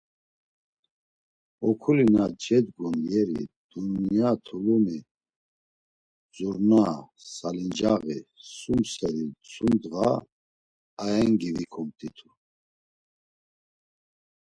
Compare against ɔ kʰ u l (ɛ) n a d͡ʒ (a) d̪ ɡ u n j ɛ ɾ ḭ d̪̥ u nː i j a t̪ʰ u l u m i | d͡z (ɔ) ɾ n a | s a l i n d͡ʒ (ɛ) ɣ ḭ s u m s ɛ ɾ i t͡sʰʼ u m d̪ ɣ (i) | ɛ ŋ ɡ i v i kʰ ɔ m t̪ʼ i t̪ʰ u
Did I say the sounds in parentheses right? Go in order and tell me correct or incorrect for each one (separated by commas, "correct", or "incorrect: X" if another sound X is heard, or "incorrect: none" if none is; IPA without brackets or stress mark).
incorrect: i, incorrect: ɛ, incorrect: u, incorrect: a, incorrect: a